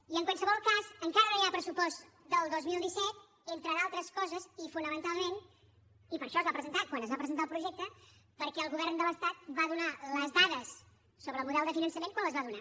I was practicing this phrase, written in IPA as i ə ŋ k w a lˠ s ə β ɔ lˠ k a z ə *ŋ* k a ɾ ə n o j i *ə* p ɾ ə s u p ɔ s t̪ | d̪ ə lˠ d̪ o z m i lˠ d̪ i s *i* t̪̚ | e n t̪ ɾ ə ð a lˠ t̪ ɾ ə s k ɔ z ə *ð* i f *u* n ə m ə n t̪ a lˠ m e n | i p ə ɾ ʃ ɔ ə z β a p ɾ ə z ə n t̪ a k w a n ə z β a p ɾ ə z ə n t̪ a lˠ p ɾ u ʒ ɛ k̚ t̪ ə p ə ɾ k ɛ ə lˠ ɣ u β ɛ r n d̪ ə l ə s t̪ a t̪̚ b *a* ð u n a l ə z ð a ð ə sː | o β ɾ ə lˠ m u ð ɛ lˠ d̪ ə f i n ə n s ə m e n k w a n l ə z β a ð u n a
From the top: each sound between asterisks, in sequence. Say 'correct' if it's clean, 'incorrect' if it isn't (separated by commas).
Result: correct, incorrect, incorrect, incorrect, correct, correct